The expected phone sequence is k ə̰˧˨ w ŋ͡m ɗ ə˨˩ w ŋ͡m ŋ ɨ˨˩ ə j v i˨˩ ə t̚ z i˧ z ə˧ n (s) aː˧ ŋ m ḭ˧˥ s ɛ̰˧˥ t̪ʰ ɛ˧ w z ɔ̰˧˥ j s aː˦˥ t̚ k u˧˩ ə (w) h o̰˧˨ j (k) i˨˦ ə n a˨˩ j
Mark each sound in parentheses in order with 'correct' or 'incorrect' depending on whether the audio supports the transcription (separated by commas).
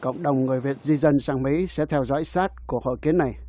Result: correct, incorrect, correct